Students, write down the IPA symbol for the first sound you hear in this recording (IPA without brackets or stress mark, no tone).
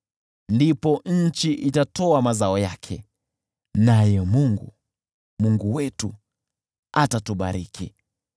n